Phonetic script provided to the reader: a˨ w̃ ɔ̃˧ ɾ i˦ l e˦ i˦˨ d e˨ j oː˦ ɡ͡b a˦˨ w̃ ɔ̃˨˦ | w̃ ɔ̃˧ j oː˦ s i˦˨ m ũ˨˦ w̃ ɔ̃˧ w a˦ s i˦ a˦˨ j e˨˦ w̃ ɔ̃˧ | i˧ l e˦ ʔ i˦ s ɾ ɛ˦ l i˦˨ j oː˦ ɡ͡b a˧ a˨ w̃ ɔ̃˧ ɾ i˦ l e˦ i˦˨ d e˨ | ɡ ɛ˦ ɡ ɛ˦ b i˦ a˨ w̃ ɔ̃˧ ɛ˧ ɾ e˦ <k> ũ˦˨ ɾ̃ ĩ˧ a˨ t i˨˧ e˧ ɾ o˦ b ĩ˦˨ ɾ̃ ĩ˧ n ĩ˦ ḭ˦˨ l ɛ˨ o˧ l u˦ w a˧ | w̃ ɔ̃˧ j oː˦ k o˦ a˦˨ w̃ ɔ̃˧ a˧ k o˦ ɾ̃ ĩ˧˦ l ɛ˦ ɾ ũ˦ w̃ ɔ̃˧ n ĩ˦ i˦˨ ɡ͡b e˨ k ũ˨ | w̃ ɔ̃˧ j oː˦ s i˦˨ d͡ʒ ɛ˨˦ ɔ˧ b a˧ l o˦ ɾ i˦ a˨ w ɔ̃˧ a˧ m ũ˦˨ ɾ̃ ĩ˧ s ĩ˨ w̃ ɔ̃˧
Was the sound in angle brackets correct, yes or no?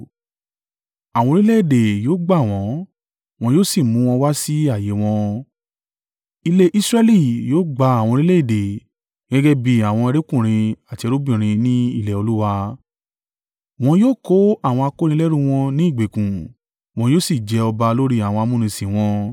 yes